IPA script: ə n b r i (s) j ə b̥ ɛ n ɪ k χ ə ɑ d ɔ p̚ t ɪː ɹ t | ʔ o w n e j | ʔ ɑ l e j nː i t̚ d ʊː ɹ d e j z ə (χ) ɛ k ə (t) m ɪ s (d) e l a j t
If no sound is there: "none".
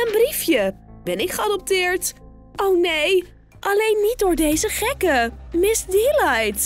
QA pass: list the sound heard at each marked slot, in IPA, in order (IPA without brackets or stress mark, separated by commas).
f, χ, none, d